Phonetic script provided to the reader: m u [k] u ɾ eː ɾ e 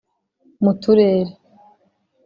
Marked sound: incorrect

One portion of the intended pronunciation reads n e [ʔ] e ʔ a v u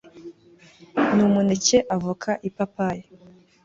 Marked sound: incorrect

